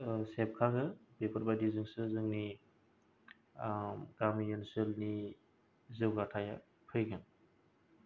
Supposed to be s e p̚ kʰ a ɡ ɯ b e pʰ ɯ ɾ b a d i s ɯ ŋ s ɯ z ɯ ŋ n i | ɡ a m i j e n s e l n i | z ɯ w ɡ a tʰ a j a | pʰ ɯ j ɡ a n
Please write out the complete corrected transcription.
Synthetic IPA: s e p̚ kʰ a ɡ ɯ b e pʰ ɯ ɾ b a d i z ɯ ŋ s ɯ z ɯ ŋ n i | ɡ a m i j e n s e l n i | z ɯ w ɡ a tʰ a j a | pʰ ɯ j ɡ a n